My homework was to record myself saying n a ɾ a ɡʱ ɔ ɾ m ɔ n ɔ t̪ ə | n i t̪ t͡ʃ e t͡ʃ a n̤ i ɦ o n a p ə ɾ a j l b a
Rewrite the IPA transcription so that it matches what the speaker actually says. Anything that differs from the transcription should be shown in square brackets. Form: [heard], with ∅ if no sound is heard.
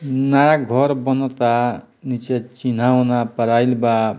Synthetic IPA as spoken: n a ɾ a ɡʱ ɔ ɾ [b] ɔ n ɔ t̪ [a] | n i [∅] t͡ʃ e t͡ʃ [i] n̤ [a] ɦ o n a p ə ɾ a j l b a